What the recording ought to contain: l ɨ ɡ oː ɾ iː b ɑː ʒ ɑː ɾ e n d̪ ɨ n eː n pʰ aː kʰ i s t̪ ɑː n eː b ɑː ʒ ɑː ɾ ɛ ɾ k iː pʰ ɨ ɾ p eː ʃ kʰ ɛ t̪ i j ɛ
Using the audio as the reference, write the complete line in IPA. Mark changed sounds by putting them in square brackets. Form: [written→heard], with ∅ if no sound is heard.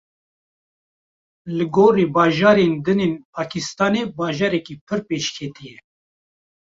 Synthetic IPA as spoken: l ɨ ɡ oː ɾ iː b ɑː ʒ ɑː ɾ e n d̪ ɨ n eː n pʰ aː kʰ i s t̪ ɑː n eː b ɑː ʒ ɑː ɾ ɛ [ɾ→∅] k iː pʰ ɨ ɾ p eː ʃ kʰ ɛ t̪ i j ɛ